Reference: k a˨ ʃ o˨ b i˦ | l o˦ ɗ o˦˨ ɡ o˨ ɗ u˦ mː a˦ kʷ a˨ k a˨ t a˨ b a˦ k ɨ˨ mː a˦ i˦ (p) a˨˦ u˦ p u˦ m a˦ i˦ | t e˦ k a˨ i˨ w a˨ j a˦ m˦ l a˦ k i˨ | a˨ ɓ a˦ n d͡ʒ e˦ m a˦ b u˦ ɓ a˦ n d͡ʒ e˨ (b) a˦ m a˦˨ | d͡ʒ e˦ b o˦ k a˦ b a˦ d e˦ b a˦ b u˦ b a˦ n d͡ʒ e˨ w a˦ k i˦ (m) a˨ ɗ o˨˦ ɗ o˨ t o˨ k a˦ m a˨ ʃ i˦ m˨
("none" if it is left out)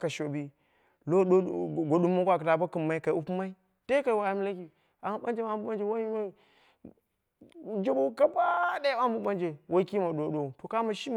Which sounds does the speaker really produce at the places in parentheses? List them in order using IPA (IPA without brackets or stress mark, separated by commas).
k, w, m